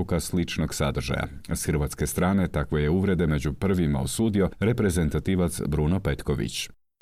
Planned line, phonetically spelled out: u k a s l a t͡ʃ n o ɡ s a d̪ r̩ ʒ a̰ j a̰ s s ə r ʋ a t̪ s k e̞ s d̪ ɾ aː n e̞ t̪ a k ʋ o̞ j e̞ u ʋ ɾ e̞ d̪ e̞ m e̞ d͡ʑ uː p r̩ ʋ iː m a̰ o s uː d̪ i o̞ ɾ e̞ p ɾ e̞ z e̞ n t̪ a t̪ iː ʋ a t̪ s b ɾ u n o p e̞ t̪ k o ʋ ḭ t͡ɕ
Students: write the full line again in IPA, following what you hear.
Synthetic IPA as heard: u k a s l i t͡ʃ n o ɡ s a d̪ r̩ ʒ a̰ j a̰ s x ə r ʋ a t̪ s k e̞ s t̪ ɾ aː n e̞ t̪ a k ʋ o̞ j e̞ u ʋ ɾ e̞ d̪ e̞ m e̞ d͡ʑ u p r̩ ʋ i m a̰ o s uː d̪ i o̞ ɾ e̞ p ɾ e̞ z e̞ n t̪ a t̪ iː ʋ a t̪ s b ɾ u n o p e̞ t̪ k o ʋ ḭ t͡ɕ